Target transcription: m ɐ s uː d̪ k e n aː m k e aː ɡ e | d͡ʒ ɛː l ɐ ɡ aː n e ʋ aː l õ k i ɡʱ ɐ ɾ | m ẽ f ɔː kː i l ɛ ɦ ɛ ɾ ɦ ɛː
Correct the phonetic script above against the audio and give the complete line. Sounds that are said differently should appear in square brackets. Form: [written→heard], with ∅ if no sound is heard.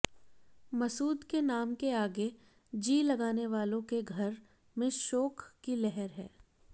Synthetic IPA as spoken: m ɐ s uː d̪ k e n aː m k e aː ɡ e | d͡ʒ [ɛː→iː] l ɐ ɡ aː n e ʋ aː l õ k [i→e] ɡʱ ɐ ɾ | m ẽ [f→ʃ] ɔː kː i l ɛ ɦ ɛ ɾ ɦ ɛː